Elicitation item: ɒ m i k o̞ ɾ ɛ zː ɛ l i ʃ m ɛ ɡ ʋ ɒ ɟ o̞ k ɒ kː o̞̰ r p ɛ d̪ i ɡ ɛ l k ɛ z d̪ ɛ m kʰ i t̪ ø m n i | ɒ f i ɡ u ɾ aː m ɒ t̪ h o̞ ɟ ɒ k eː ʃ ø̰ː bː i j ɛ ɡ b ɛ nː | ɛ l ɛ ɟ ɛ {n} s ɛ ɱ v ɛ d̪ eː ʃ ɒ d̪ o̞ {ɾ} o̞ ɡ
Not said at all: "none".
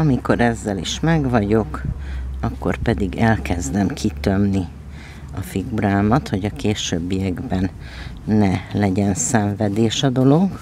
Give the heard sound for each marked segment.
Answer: n, l

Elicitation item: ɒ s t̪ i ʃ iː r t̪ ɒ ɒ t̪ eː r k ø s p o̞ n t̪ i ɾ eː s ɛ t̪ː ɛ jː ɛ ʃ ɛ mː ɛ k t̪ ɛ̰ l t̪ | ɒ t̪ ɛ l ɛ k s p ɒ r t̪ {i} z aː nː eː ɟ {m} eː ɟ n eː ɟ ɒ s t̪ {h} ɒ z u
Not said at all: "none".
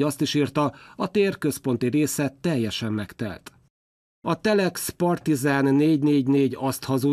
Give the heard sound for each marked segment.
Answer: i, n, h

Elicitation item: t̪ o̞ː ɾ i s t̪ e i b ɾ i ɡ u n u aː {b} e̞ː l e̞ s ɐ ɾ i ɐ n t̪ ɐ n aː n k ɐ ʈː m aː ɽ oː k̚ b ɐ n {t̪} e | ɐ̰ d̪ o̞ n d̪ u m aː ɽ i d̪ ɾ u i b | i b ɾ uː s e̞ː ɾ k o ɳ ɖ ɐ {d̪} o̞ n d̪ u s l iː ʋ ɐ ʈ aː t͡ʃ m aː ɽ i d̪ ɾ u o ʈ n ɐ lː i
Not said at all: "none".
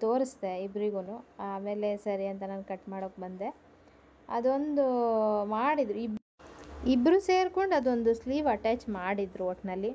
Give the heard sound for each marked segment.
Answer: m, d̪, d̪

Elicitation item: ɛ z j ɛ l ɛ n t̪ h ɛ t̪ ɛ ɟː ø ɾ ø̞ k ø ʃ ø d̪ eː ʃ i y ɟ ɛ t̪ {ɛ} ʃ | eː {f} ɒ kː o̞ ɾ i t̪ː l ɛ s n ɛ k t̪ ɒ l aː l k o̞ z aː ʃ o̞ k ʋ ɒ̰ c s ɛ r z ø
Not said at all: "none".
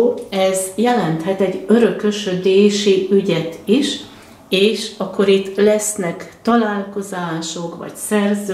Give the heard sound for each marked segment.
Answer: i, ʃ

